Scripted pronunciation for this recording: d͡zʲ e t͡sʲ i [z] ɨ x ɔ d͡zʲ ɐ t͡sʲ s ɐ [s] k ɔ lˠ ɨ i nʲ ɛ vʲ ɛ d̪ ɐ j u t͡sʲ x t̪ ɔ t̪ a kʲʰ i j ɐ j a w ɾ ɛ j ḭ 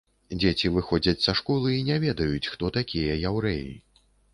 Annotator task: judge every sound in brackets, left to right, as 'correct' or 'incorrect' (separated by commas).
incorrect, incorrect